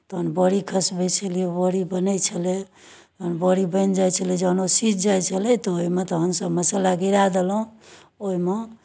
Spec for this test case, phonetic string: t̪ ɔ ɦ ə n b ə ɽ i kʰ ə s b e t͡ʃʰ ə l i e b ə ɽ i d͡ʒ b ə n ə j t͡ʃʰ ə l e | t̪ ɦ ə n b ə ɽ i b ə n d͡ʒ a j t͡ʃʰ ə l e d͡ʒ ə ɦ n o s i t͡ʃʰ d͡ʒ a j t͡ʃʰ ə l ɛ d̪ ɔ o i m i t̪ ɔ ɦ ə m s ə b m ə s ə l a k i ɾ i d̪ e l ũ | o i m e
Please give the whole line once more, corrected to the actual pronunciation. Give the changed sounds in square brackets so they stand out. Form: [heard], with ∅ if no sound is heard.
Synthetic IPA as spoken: t̪ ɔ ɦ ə n b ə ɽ i kʰ ə s b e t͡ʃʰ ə l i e b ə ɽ i [∅] b ə n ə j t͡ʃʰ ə l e | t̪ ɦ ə n b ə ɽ i b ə n d͡ʒ a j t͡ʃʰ ə l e d͡ʒ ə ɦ n o s i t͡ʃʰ d͡ʒ a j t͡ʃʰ ə l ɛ [t̪] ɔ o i m [e] t̪ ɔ ɦ ə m s ə b m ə s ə l a [ɡ] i ɾ [a] d̪ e l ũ | o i m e